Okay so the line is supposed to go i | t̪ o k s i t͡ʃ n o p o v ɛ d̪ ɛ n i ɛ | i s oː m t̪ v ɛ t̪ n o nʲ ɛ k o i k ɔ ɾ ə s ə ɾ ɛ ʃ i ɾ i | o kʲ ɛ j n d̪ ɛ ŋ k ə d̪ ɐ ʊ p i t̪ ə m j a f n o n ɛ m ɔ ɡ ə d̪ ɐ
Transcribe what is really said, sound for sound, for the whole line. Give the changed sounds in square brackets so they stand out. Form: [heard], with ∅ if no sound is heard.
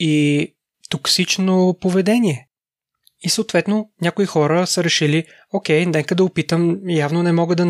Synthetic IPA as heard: i | t̪ o k s i t͡ʃ n o p o v ɛ d̪ ɛ n i ɛ | i s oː [∅] t̪ v ɛ t̪ n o nʲ [a] k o i [x] ɔ ɾ ə s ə ɾ ɛ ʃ i [l] i | o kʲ ɛ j n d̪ ɛ ŋ k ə d̪ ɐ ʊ p i t̪ ə m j a [v] n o n ɛ m ɔ ɡ ə d̪ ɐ